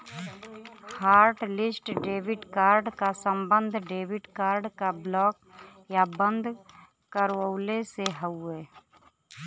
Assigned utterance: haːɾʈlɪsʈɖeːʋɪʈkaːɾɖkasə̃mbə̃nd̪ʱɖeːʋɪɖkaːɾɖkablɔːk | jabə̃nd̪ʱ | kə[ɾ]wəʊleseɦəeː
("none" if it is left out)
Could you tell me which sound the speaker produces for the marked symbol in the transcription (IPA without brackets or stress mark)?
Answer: ɾ